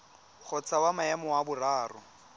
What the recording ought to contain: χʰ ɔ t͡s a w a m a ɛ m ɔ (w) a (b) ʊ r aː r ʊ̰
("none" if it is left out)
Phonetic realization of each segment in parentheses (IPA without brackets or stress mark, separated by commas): w, b